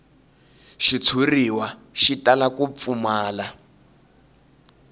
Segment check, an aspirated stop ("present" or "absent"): present